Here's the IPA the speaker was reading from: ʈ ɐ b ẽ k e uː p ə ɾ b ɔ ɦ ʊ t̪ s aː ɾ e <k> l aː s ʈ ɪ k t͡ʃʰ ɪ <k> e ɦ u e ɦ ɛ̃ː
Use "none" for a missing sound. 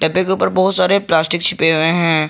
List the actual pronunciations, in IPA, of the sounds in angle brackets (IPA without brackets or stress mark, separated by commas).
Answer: p, p